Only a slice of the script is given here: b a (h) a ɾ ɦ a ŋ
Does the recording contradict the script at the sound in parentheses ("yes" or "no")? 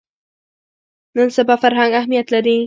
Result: yes